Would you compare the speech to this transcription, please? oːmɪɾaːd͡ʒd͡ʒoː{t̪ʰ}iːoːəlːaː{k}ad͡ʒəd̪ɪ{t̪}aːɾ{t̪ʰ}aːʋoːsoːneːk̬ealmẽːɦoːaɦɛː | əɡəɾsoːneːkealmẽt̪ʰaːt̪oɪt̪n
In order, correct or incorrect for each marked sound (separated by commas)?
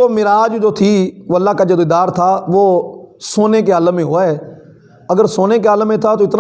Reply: correct, correct, incorrect, correct